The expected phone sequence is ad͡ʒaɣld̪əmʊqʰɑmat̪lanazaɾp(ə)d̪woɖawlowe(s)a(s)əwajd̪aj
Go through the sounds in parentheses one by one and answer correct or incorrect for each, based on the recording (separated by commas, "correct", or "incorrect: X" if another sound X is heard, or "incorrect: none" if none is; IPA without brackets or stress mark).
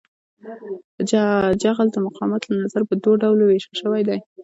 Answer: correct, incorrect: ʃ, incorrect: ʃ